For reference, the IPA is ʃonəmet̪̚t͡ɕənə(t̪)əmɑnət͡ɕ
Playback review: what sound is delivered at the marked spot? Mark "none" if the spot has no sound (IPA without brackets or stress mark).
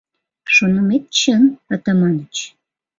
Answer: t̪